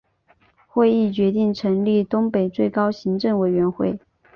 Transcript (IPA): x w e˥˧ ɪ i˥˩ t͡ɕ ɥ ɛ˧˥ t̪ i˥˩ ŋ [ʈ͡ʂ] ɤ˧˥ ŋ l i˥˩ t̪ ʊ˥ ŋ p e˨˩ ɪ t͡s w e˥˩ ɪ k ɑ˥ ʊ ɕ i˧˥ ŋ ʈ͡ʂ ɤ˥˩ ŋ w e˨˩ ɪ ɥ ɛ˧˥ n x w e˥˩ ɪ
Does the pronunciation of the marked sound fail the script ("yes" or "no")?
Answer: yes